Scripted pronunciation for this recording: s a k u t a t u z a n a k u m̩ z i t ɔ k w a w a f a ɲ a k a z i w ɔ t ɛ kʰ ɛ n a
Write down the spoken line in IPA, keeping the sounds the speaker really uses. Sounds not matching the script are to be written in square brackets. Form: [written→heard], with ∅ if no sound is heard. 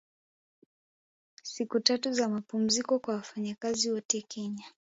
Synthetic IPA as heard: s [a→i] k u t a t u z a [n→m] a [k→p] u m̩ z i [t→k] ɔ k w a w a f a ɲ a k a z i w ɔ t ɛ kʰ ɛ [n→ɲ] a